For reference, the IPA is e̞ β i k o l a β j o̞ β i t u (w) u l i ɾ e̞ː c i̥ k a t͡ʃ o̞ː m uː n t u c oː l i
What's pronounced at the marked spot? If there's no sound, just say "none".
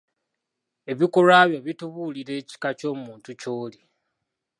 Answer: β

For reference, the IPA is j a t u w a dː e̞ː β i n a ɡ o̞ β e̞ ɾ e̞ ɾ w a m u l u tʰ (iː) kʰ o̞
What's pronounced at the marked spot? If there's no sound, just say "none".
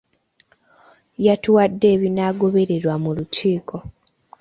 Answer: iː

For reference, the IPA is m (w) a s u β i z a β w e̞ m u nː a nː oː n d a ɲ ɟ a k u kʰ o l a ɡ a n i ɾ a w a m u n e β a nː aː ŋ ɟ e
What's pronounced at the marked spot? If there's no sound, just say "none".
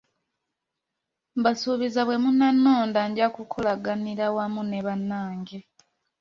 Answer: b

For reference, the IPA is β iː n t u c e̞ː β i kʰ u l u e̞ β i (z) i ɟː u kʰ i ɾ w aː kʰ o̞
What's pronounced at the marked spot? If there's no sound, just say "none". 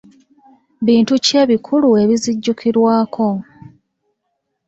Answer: z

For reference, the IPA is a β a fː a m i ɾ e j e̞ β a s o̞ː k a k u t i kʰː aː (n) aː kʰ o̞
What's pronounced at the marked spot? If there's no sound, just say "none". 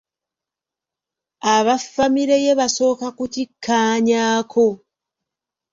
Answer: ɲ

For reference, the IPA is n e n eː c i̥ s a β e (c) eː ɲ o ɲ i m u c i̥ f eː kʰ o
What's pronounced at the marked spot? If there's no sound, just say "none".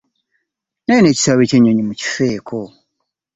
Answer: c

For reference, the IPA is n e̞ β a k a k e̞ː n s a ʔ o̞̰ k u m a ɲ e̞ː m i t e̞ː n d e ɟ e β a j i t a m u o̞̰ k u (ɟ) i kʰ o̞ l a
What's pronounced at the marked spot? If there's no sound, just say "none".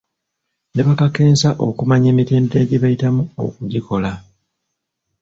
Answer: ɟ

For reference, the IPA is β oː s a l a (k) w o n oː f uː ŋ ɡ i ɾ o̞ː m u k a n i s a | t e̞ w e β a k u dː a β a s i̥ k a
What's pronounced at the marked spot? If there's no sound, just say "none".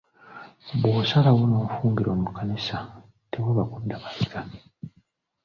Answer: none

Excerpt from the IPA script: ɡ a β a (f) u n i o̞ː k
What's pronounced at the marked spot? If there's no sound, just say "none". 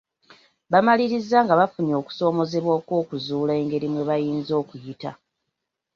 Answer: f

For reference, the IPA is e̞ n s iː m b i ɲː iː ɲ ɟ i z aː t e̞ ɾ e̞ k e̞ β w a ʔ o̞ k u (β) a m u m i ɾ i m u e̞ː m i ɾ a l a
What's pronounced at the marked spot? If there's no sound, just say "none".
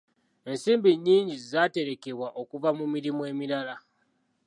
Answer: v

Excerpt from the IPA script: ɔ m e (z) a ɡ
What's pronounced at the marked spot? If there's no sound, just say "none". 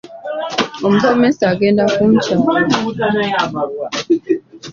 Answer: s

